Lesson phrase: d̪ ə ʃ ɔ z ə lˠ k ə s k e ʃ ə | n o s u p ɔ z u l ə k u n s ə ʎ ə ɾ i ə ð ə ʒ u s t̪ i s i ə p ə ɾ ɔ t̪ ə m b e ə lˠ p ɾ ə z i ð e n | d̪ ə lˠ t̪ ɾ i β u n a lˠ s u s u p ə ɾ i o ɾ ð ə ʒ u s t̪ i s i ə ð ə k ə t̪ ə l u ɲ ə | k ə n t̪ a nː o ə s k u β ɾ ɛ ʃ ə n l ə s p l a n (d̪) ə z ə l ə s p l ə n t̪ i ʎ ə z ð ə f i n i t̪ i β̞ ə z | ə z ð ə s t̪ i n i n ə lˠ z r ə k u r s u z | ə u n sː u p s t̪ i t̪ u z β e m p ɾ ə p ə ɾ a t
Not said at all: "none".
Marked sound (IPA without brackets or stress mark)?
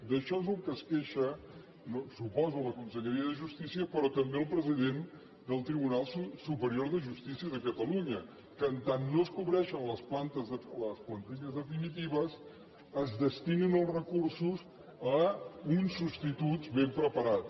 t̪